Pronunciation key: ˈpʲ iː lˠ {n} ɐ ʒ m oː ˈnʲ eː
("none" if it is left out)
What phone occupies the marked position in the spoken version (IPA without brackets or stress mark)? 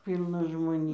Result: n